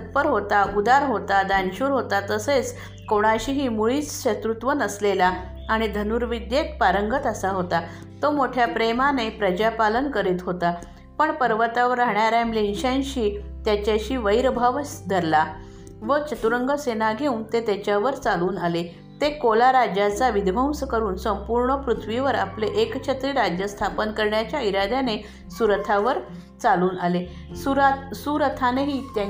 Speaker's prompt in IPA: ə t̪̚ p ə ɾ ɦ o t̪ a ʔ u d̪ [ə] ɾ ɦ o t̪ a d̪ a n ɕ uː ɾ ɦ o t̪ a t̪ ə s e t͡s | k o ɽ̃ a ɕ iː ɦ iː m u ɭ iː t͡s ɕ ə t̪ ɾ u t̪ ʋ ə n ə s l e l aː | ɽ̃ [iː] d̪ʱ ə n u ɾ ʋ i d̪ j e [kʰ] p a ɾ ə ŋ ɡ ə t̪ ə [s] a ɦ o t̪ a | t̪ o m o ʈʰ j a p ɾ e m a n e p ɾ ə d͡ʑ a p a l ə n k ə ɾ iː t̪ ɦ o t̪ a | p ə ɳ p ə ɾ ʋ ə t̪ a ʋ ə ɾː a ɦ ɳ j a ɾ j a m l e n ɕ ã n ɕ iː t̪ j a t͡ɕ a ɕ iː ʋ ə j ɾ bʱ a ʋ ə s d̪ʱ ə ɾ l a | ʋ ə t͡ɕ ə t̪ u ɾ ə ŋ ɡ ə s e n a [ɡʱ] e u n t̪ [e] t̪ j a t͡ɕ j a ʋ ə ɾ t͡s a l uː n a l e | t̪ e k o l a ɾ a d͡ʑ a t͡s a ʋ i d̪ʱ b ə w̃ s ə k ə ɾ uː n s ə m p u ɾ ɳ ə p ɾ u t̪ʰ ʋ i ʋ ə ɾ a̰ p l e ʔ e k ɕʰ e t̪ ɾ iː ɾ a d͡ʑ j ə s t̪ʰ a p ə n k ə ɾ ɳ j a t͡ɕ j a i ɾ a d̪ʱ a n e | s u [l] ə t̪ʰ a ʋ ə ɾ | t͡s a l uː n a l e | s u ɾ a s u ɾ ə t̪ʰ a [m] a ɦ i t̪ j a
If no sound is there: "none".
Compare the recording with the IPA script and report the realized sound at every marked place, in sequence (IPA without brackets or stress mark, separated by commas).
a, i, k, s, ɡʱ, e, ɾ, n